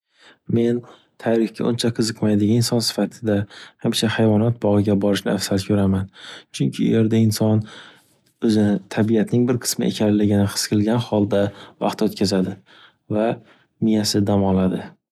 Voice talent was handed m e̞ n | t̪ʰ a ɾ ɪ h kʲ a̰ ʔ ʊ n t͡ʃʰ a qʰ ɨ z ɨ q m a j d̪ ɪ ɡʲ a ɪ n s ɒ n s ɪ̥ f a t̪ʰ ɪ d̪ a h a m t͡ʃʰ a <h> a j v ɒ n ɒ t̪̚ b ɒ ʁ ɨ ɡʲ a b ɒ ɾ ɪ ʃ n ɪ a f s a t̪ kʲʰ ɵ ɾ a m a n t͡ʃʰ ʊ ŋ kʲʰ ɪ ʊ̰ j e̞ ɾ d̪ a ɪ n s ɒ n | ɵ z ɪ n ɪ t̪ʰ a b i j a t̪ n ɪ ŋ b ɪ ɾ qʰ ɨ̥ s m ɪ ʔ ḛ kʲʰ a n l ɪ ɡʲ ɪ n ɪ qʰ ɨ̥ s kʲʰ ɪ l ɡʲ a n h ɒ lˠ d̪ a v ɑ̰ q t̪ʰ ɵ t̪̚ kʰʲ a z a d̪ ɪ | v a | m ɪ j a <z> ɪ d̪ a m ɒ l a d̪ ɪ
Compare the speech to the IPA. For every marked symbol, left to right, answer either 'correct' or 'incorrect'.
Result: correct, incorrect

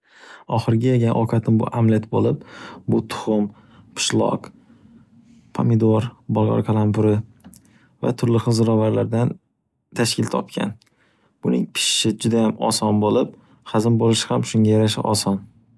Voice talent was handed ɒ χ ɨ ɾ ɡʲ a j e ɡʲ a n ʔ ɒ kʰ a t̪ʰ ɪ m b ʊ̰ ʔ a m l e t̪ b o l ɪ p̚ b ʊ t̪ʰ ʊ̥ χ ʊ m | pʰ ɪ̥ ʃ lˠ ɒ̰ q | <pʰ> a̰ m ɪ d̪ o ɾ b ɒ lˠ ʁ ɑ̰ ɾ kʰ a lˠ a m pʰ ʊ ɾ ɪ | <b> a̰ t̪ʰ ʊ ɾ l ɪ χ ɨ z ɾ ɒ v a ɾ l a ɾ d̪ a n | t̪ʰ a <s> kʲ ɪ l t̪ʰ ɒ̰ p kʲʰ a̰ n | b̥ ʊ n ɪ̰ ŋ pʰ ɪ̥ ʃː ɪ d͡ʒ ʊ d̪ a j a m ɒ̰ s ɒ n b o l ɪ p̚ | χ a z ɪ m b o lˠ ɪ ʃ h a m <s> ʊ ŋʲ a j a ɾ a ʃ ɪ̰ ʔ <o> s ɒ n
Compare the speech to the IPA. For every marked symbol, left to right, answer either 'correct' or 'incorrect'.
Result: correct, incorrect, incorrect, incorrect, incorrect

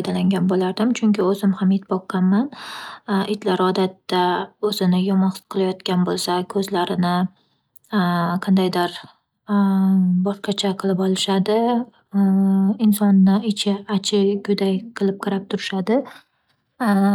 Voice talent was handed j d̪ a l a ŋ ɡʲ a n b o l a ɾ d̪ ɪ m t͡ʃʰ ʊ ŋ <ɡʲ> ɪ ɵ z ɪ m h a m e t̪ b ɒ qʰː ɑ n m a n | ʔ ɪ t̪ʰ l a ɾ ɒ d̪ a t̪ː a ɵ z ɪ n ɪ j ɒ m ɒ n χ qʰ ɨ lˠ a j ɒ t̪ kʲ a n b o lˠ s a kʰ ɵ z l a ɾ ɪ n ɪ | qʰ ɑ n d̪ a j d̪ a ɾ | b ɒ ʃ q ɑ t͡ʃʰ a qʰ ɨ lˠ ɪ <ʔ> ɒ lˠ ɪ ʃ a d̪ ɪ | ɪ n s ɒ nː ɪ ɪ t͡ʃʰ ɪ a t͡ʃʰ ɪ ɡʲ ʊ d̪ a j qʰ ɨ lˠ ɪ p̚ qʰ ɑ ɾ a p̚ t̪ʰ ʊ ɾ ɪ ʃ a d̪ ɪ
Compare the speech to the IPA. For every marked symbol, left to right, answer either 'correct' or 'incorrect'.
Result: incorrect, incorrect

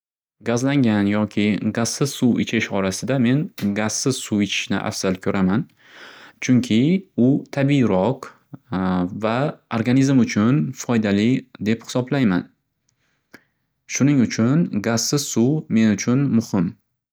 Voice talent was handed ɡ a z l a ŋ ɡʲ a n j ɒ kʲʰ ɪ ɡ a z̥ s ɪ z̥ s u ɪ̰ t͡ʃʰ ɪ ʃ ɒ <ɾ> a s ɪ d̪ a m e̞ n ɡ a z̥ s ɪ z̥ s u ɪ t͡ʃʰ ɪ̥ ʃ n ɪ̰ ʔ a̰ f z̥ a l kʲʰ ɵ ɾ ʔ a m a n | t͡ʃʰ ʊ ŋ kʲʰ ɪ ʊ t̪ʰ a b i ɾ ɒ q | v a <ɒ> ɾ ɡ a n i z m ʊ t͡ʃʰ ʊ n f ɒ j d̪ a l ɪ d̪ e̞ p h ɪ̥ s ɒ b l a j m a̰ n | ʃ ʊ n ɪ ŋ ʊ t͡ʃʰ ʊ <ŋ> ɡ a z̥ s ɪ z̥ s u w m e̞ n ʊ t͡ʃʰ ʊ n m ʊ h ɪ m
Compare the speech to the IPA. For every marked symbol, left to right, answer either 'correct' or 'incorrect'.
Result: correct, incorrect, incorrect

